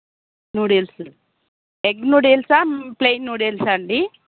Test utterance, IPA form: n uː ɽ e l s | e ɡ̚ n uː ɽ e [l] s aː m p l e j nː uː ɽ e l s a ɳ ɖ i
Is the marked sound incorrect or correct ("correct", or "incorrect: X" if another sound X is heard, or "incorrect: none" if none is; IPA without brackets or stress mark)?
correct